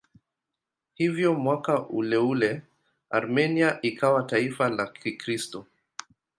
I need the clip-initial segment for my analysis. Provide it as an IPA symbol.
h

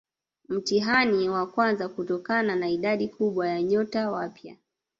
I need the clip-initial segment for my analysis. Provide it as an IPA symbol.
m̩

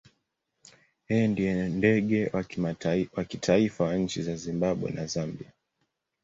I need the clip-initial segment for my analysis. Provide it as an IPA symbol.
h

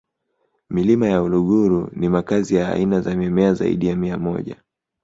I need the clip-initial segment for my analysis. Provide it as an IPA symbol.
m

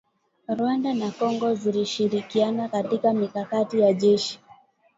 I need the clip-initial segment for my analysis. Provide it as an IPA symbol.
ɾ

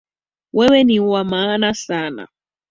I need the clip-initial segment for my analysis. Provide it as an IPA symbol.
w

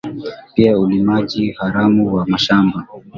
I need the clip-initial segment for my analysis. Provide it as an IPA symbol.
p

